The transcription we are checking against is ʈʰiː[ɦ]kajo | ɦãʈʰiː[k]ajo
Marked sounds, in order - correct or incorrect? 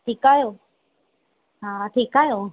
incorrect, correct

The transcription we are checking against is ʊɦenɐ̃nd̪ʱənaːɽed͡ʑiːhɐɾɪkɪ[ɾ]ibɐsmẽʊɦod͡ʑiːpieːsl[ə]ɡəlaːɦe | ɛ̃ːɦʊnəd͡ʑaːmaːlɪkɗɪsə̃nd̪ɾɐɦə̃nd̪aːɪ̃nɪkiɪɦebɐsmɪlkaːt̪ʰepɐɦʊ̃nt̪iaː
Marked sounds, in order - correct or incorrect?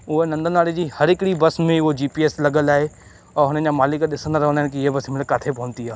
incorrect, incorrect

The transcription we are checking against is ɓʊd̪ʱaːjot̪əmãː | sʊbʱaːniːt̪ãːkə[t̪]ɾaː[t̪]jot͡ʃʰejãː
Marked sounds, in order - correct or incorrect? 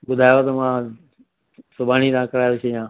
incorrect, incorrect

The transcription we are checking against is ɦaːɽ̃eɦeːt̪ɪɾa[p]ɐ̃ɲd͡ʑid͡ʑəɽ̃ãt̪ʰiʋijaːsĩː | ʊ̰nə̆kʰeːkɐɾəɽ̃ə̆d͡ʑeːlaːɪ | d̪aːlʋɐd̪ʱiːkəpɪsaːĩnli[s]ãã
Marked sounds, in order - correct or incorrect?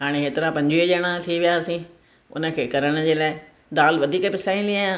correct, incorrect

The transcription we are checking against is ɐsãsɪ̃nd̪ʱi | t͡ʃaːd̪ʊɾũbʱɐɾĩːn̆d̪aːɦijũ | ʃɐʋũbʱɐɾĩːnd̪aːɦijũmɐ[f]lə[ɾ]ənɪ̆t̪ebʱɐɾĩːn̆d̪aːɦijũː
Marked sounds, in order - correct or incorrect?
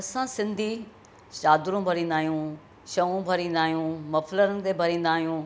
correct, correct

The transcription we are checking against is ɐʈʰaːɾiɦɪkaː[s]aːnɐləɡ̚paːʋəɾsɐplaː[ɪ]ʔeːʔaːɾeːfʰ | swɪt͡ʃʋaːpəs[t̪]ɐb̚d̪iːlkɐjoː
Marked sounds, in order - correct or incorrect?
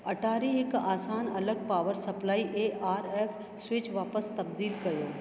correct, incorrect, correct

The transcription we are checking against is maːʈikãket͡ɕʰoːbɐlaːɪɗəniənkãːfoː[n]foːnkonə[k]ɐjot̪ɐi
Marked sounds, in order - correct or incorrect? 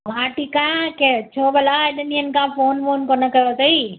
correct, correct

